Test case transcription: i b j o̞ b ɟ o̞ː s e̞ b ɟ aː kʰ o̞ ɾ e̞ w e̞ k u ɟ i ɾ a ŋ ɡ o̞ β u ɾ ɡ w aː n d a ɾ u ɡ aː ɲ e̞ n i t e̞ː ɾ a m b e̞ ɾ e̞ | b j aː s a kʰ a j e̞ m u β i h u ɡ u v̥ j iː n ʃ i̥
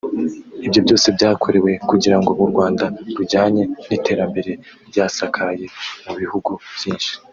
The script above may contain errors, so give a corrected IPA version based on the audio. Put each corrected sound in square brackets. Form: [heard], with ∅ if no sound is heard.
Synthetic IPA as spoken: i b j o̞ b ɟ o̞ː s e̞ b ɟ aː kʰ o̞ ɾ e̞ w e̞ k u ɟ i ɾ a ŋ ɡ o̞ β u ɾ ɡ w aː n d a ɾ u [ɟ] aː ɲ e̞ n i t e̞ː ɾ a m b e̞ ɾ e̞ | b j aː s a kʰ a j e̞ m u β i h u ɡ u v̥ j iː n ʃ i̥